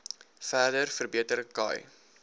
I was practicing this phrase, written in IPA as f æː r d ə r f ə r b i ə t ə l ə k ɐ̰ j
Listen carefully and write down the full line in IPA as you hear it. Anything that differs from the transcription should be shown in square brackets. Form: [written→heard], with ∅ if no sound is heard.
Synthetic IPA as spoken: f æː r d ə r f ə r b i ə t ə [l→ɾ] ə k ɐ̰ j